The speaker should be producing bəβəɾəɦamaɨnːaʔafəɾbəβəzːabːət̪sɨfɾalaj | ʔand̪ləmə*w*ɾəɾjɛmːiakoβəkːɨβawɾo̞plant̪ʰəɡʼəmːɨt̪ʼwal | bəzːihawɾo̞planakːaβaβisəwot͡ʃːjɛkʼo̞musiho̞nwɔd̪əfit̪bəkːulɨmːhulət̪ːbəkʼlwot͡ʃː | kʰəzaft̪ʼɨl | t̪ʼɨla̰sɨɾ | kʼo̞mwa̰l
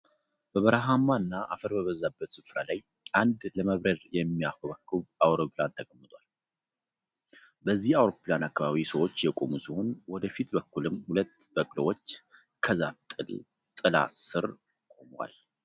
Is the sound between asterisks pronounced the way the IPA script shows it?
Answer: no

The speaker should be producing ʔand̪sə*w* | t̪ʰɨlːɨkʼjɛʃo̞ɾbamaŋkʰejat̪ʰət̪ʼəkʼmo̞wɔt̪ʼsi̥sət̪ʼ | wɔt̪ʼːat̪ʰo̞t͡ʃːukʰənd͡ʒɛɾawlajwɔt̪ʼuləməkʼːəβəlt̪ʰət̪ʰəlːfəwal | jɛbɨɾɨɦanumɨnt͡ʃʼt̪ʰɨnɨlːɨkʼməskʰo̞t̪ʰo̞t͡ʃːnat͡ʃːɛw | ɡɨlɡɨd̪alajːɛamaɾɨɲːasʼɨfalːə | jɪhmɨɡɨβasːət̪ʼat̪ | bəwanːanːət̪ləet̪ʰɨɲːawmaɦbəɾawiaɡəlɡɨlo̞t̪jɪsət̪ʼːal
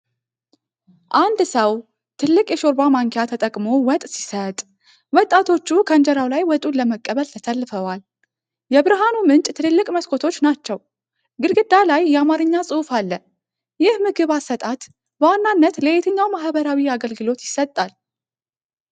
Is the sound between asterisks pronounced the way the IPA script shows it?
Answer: yes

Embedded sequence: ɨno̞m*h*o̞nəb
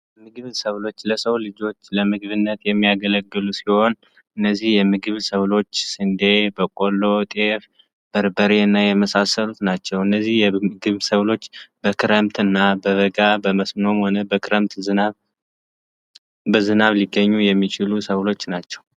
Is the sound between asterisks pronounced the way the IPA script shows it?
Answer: yes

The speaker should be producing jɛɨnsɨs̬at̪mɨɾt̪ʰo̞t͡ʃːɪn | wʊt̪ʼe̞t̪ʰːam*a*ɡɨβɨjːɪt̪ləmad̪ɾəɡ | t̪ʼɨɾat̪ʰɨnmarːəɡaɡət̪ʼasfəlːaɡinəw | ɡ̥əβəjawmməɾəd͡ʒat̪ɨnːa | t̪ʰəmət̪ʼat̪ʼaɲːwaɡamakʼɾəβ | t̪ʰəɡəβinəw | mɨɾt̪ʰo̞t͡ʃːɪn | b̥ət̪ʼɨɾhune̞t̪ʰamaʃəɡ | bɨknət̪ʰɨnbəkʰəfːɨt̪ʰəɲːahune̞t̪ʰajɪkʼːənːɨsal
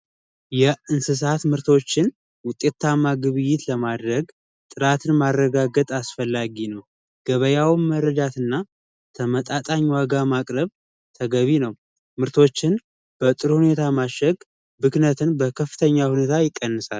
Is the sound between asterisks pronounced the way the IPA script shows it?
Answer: yes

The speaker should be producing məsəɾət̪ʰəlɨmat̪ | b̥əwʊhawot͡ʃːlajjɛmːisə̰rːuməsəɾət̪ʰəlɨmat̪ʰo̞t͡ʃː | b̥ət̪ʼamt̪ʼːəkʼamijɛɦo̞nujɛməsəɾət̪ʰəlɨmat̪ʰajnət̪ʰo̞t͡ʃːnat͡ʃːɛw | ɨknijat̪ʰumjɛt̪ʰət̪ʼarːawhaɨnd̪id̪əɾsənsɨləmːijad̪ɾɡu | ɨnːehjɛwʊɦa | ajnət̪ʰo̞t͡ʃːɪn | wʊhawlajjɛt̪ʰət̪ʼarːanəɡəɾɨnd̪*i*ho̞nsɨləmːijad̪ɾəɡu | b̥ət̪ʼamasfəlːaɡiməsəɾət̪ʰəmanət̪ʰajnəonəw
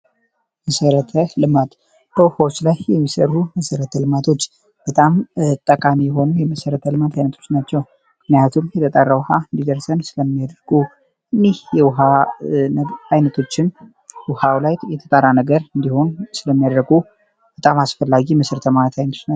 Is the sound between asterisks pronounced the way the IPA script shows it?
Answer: yes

